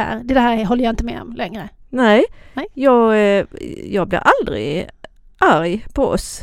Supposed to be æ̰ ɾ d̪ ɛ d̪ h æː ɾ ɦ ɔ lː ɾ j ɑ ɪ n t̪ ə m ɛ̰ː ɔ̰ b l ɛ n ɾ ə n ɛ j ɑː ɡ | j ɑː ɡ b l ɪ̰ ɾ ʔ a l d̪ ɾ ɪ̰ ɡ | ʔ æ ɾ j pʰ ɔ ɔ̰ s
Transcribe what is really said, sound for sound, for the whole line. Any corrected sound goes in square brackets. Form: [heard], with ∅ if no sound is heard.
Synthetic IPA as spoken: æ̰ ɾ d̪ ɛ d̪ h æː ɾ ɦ ɔ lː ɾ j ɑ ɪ n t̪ ə m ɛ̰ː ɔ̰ [m] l ɛ [ŋ] ɾ ə n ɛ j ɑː ɡ | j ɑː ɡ b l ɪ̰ ɾ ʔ a l d̪ ɾ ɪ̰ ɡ | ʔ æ ɾ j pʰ ɔ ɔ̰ s